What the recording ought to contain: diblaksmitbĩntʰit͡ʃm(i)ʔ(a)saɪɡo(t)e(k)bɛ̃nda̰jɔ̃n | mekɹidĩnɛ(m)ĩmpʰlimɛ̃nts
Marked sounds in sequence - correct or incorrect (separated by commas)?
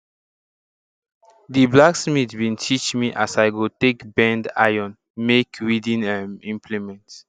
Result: correct, correct, correct, correct, correct